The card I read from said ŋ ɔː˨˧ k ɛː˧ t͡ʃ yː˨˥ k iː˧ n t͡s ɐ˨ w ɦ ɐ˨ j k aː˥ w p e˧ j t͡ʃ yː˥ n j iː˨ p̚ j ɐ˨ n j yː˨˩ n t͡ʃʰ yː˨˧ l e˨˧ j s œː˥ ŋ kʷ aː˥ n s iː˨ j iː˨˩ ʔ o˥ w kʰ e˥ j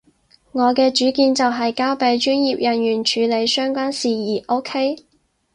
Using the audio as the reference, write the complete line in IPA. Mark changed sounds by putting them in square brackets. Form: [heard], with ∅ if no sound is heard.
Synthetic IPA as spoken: ŋ ɔː˨˧ k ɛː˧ t͡ʃ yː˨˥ k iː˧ n t͡s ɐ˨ w ɦ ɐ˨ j k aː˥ w p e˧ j t͡ʃ yː˥ n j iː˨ p̚ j ɐ˨ n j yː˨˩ n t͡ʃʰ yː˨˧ l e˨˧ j s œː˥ ŋ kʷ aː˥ n s iː˨ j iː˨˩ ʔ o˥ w kʰ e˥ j